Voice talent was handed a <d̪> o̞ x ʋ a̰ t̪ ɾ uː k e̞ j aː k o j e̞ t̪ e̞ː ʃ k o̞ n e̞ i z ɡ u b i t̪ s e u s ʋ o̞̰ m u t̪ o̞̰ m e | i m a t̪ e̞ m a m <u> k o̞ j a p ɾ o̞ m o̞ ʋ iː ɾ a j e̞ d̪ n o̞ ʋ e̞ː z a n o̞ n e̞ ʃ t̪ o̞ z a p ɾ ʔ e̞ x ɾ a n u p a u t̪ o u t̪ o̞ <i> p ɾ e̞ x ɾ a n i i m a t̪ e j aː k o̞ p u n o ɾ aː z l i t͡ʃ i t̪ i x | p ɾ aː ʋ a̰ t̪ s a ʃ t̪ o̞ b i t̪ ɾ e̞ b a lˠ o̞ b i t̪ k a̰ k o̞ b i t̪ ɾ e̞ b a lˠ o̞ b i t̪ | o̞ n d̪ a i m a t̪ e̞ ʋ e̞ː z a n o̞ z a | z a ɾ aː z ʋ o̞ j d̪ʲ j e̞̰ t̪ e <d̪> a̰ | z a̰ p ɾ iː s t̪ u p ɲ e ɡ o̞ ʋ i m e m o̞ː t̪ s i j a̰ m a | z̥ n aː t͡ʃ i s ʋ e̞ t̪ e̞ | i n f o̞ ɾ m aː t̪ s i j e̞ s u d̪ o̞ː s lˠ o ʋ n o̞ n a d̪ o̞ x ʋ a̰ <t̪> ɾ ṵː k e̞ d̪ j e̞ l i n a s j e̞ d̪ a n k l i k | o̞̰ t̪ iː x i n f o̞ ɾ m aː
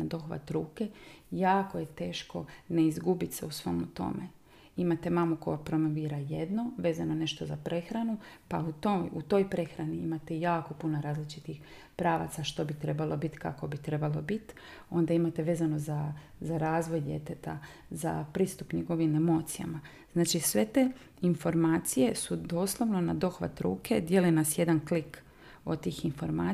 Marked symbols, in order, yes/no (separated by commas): yes, yes, no, no, yes